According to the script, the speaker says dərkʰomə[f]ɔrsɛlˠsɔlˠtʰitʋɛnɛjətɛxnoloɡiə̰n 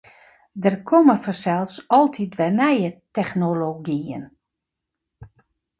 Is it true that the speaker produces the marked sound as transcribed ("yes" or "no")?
yes